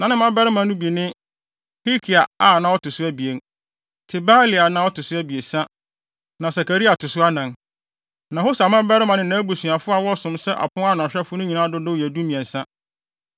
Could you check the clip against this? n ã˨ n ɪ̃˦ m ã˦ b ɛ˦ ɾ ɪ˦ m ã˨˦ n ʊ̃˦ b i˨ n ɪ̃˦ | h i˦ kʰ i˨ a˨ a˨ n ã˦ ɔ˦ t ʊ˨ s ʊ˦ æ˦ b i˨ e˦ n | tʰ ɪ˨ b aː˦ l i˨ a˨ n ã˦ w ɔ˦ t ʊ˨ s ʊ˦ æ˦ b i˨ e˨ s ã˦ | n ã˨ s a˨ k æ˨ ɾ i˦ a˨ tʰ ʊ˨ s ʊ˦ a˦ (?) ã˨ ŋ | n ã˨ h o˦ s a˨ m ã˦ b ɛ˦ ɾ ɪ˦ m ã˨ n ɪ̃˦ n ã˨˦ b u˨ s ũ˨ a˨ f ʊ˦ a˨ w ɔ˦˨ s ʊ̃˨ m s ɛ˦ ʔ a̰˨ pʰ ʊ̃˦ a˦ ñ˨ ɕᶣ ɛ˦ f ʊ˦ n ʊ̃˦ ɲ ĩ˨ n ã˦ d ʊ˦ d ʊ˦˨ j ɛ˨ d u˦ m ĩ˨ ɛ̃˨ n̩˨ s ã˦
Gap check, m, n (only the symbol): n